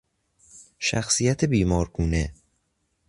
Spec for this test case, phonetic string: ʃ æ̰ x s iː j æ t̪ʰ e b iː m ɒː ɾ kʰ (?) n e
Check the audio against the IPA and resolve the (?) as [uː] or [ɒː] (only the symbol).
uː